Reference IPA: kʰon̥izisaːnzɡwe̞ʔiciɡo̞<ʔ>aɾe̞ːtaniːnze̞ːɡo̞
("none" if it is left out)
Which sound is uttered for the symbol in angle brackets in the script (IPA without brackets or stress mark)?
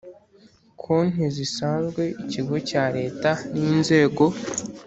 c